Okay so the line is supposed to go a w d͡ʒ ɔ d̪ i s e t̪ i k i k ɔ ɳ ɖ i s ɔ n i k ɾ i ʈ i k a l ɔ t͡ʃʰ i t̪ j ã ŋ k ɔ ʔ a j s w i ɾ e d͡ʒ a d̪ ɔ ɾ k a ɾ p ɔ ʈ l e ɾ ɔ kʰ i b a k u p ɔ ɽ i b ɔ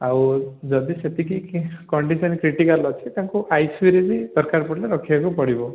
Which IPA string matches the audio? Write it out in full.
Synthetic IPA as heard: a w d͡ʒ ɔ d̪ i s e t̪ i k i k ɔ ɳ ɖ i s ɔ n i k ɾ i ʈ i k a l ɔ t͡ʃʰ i t̪ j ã ŋ k u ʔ a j s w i ɾ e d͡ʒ i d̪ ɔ ɾ k a ɾ p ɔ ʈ l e ɾ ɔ kʰ i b a k u p ɔ ɽ i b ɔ